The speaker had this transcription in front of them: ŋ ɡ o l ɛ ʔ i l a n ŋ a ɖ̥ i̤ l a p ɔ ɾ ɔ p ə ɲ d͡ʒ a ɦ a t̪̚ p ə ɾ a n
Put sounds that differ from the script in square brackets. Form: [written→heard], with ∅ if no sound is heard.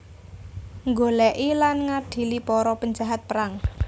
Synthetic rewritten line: ŋ ɡ o l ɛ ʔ i l a n ŋ a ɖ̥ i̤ l [a→i] p ɔ ɾ ɔ p ə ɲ d͡ʒ a ɦ a t̪̚ p ə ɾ a [n→ŋ]